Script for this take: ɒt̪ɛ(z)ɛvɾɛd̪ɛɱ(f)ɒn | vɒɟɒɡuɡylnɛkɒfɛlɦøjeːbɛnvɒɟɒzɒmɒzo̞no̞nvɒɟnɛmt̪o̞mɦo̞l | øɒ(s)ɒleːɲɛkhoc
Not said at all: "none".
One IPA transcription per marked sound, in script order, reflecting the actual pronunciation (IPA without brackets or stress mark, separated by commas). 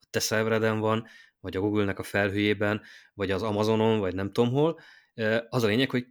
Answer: s, v, z